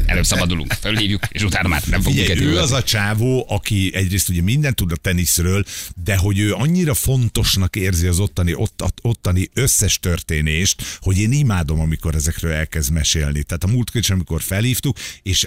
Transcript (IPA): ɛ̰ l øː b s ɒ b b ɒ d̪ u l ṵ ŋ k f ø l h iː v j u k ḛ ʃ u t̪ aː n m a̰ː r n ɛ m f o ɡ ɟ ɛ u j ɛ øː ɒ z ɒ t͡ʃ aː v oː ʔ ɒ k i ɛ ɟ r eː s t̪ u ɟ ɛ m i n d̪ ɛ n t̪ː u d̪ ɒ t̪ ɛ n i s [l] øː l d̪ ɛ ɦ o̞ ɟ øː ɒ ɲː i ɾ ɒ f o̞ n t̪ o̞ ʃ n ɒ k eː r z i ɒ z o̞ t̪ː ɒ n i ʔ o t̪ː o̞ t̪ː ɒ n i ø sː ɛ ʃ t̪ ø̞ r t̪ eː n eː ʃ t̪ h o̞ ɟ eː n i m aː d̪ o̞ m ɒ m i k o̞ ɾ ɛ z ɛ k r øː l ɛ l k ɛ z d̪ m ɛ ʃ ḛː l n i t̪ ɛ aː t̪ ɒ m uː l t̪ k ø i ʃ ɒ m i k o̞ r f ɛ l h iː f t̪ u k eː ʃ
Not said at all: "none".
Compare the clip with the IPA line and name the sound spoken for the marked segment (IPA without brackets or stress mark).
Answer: r